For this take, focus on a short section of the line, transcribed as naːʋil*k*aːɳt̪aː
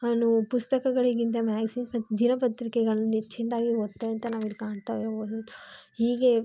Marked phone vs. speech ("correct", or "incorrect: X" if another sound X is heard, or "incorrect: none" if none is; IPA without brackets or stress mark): correct